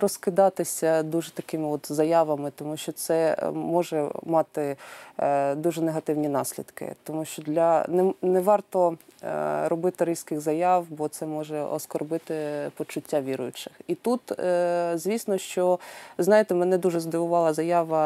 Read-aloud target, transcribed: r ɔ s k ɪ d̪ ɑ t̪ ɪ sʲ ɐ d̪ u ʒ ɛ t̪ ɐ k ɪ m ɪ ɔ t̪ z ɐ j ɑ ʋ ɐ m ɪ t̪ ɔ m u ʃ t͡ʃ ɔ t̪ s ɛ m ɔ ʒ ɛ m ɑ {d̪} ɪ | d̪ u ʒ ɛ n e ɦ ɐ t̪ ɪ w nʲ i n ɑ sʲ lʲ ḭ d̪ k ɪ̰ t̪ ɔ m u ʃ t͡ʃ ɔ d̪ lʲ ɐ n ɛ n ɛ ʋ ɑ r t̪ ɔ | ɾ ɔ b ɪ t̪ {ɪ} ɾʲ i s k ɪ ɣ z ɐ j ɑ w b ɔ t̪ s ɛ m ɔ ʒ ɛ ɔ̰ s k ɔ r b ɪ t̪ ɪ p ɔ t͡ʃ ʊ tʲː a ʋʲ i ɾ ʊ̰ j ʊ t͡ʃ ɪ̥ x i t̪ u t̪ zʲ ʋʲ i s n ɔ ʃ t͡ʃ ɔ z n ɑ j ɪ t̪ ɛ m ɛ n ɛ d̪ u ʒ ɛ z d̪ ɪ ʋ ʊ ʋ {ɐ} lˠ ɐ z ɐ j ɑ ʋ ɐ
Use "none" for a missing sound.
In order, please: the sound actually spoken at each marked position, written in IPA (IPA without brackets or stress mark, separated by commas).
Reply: t̪, ɪ, ɑ